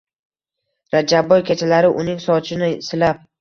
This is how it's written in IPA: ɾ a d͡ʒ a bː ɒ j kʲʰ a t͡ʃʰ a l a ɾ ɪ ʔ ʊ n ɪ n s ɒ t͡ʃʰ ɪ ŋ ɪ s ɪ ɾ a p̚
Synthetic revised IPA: ɾ a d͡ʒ a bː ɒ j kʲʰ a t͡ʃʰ a l a ɾ ɪ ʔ ʊ n ɪ ŋ s ɒ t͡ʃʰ ɪ n ɪ s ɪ l a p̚